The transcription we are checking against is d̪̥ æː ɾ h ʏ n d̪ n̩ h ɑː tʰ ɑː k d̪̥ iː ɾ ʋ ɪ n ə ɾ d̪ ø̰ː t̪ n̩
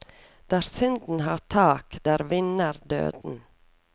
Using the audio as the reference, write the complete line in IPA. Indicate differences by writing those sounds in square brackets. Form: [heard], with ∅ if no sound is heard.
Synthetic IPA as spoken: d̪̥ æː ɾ [s] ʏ n d̪ n̩ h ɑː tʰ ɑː k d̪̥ [æː] ɾ ʋ ɪ n ə ɾ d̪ ø̰ː [d̪] n̩